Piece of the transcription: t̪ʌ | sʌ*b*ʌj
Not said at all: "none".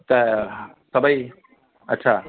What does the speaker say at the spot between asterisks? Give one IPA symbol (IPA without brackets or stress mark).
b